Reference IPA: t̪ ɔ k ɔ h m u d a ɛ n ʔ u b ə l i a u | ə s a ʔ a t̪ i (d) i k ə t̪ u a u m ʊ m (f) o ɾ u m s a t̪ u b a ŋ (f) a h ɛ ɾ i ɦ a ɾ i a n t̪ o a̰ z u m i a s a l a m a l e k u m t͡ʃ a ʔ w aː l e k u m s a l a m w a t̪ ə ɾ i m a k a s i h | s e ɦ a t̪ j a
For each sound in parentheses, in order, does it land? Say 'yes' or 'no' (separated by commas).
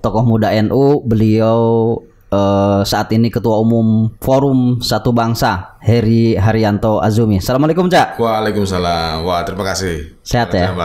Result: no, yes, no